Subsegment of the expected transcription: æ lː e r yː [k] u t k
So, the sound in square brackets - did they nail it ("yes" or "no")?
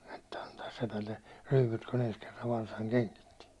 no